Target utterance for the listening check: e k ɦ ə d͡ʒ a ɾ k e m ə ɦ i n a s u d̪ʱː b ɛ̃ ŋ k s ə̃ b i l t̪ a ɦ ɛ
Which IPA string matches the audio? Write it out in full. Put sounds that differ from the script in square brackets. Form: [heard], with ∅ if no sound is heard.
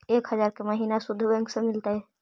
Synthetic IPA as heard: e k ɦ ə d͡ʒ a ɾ k e m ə ɦ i n a s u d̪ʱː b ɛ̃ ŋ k s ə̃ [m] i l t̪ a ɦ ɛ